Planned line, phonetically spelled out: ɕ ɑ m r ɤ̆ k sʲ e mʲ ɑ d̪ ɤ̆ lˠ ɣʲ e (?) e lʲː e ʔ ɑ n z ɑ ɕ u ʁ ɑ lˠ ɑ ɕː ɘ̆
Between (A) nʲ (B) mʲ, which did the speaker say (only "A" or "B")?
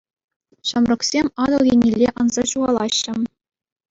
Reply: A